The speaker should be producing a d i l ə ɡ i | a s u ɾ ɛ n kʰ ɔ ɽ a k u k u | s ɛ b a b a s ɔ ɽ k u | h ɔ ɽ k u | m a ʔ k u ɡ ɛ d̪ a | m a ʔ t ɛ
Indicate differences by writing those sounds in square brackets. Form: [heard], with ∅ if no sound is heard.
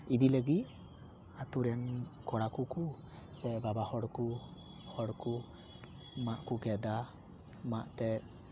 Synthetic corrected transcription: [i] d i l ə ɡ i | a [t] u ɾ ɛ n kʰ ɔ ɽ a k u k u | s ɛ b a b a [h] ɔ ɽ k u | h ɔ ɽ k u | m a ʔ k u ɡ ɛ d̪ a | m a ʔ t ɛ